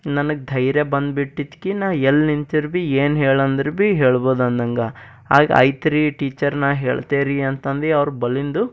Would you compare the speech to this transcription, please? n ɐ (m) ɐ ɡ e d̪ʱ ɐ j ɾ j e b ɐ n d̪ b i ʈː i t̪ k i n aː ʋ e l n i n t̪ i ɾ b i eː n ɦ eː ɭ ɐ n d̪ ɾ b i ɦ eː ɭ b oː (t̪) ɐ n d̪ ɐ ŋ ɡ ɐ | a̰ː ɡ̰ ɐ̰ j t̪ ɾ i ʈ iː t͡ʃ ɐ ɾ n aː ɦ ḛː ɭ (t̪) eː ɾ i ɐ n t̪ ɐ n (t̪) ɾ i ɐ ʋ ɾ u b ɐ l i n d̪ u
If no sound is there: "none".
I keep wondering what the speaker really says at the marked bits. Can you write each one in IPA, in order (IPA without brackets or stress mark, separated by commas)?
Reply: n, d̪, t̪, d̪